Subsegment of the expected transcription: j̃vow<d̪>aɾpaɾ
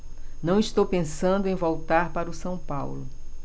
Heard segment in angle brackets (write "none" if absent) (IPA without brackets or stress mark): t̪